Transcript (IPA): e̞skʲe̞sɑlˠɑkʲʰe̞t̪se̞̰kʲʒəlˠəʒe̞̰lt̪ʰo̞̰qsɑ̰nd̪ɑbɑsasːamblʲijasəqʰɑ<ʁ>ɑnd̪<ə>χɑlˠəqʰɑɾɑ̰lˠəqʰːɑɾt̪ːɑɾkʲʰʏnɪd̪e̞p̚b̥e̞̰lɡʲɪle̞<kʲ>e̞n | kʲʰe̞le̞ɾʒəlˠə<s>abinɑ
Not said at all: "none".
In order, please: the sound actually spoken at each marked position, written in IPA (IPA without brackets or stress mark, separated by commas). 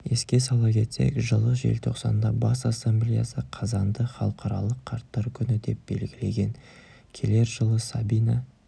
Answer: z, ə, ɡʲ, s